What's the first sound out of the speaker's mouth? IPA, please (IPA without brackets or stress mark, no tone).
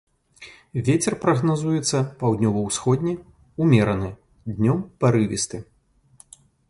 vʲ